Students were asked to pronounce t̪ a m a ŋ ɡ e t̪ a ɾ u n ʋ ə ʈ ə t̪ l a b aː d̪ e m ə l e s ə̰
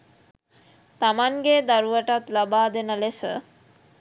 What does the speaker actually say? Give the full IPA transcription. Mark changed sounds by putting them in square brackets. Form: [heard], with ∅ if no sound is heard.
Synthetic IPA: t̪ a m a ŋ ɡ e [d̪] a ɾ u [∅] ʋ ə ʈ [a] t̪ l a b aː d̪ e [n] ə l e s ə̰